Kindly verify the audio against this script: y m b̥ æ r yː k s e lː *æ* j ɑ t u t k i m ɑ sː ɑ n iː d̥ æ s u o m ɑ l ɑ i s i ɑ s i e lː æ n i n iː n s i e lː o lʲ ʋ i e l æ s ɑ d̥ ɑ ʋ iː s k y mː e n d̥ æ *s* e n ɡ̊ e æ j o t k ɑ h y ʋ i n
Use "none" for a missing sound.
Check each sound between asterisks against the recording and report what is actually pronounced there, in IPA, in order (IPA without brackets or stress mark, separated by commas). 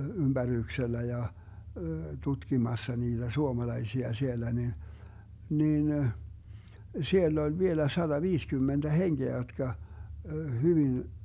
æ, h